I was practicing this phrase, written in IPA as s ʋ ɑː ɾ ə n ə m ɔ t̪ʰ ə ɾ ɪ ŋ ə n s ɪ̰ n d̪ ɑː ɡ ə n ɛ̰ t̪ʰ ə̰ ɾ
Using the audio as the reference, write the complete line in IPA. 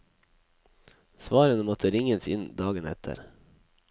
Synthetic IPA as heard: s ʋ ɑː ɾ ə n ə m ɔ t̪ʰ ə ɾ ɪ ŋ ə n s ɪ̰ n d̪ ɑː ɡ ə n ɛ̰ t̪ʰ ə̰ ɾ

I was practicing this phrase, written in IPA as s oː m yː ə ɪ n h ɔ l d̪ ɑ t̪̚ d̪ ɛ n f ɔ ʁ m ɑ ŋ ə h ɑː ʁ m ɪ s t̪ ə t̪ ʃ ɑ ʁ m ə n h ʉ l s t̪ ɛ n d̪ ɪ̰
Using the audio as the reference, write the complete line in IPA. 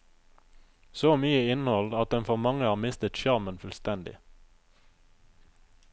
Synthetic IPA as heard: s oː m yː ə ɪ n h ɔ l d̪ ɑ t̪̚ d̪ ɛ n f ɔ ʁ m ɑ ŋ ə h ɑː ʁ m ɪ s t̪ ə t̪ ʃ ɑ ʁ m ə n f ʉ l s t̪ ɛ n d̪ ɪ̰

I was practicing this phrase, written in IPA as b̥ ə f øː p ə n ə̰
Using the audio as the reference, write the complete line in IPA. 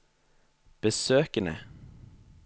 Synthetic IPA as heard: b̥ ə s øː k ə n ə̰

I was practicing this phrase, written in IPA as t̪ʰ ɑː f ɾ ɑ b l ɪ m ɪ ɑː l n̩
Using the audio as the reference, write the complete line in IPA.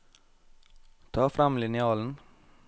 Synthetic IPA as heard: t̪ʰ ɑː f ɾ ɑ m l ɪ n ɪ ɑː l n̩

